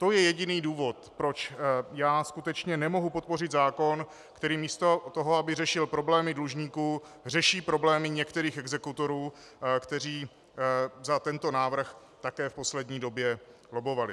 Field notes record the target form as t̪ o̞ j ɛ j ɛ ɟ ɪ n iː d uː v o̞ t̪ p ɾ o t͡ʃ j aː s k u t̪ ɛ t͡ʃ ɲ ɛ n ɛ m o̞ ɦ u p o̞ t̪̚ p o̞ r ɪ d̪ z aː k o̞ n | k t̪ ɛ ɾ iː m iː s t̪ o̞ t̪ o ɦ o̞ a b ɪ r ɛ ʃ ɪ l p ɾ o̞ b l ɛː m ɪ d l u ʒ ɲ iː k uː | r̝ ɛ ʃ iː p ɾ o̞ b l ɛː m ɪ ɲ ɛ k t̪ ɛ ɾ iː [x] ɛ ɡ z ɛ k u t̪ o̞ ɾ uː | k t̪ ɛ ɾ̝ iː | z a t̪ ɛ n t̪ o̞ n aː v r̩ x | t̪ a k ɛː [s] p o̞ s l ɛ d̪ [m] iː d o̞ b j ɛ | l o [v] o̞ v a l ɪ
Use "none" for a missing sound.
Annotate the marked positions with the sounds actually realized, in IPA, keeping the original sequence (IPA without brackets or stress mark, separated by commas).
x, f, ɲ, b